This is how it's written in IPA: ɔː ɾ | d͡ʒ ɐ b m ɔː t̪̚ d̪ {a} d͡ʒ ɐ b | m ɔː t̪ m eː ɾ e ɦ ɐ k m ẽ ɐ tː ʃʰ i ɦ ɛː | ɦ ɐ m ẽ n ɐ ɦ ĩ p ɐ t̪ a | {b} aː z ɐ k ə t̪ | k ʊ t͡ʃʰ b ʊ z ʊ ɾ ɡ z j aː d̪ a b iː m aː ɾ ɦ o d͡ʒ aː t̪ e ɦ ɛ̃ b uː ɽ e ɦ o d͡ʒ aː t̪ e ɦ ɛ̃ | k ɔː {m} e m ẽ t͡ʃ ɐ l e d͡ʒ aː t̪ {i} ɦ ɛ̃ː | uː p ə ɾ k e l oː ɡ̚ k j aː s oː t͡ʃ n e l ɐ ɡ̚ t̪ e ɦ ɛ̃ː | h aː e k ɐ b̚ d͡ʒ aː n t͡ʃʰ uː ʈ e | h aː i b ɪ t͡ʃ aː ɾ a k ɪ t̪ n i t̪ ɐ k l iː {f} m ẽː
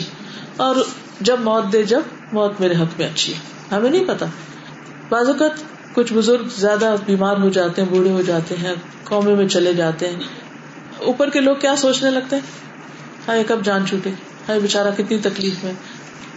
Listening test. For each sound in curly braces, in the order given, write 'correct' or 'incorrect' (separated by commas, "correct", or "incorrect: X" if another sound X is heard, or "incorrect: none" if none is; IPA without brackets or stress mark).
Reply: incorrect: e, correct, correct, incorrect: e, correct